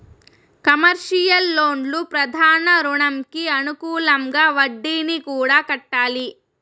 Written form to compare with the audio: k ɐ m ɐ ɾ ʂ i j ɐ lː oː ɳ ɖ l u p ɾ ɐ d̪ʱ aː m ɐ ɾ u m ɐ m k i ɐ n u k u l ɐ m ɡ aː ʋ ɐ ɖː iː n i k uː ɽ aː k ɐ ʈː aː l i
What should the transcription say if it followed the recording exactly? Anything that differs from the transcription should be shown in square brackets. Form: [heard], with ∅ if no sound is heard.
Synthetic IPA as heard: k ɐ m ɐ ɾ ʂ i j ɐ lː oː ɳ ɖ l u p ɾ ɐ d̪ʱ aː [n] ɐ ɾ u [ɳ] ɐ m k i ɐ n u k [uː] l ɐ m ɡ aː ʋ ɐ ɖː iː n i k uː ɽ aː k ɐ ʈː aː l i

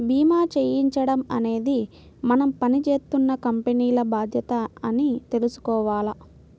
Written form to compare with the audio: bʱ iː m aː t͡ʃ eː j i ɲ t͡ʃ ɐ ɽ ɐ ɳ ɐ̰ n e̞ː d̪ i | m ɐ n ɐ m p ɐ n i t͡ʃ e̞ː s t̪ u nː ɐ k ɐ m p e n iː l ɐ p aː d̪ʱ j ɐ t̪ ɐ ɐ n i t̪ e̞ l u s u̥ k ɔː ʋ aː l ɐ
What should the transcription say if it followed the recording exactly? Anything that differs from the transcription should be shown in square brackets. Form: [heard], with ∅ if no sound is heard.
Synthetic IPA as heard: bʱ iː m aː t͡ʃ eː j i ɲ t͡ʃ ɐ ɽ ɐ [m] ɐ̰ n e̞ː d̪ i | m ɐ n ɐ m p ɐ n i t͡ʃ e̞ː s t̪ u nː ɐ k ɐ m p e n iː l ɐ [b] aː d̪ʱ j ɐ t̪ ɐ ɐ n i t̪ e̞ l u s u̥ k ɔː ʋ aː l ɐ

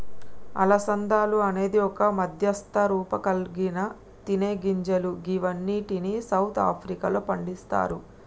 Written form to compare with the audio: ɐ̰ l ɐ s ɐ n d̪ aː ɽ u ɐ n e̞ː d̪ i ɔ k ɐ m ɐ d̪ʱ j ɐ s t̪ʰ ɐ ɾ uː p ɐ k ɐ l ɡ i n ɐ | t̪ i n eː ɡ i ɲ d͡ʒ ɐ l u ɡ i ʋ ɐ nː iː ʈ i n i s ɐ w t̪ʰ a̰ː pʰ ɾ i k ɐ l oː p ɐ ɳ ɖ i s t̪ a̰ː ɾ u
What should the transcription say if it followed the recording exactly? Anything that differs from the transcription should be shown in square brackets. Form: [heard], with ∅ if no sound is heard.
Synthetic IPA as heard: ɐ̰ l ɐ s ɐ n d̪ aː [l] u ɐ n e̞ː d̪ i ɔ k ɐ m ɐ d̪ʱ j ɐ s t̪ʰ ɐ ɾ uː p ɐ k ɐ l ɡ i n ɐ | t̪ i n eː ɡ i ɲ d͡ʒ ɐ l u ɡ i ʋ ɐ nː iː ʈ i n i s ɐ w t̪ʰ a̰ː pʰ ɾ i k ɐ l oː p ɐ ɳ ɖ i s t̪ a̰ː ɾ u

